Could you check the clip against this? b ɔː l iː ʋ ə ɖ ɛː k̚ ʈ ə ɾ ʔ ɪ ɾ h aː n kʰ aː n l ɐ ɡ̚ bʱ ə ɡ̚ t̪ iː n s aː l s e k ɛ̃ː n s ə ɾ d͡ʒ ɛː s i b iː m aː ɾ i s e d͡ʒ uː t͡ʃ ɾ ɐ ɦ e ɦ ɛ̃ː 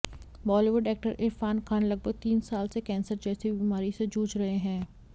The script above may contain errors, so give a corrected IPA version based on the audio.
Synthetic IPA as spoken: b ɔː l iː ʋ ə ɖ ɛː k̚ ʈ ə ɾ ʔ ɪ ɾ f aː n kʰ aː n l ɐ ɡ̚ bʱ ə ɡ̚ t̪ iː n s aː l s e k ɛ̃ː n s ə ɾ d͡ʒ ɛː s i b iː m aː ɾ i s e d͡ʒ uː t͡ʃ ɾ ɐ ɦ e ɦ ɛ̃ː